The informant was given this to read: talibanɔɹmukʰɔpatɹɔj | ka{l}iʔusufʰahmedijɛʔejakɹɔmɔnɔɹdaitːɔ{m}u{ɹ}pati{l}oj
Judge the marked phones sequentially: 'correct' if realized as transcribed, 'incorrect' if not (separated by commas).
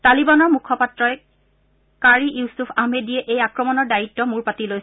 incorrect, correct, correct, correct